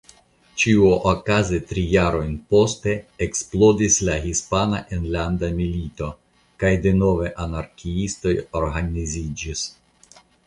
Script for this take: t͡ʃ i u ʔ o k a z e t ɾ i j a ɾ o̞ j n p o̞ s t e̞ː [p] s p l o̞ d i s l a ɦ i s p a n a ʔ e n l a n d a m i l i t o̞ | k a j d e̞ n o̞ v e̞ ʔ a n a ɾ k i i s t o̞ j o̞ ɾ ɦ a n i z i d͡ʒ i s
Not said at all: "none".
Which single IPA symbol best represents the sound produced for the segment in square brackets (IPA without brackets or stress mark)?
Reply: k